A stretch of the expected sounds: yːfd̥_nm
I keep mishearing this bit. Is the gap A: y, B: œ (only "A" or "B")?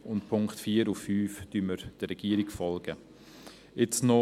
A